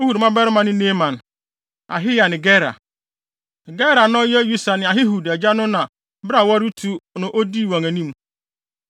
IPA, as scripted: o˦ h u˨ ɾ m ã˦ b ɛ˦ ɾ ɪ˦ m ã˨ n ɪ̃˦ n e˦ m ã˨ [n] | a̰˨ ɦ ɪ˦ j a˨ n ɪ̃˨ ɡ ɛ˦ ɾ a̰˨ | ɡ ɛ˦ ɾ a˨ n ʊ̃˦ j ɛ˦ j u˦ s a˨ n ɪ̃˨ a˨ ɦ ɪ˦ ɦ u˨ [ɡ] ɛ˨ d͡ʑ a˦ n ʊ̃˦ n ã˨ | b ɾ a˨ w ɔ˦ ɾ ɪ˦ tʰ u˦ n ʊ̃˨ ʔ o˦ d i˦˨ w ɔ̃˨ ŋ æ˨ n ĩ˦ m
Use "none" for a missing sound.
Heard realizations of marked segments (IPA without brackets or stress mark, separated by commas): n, d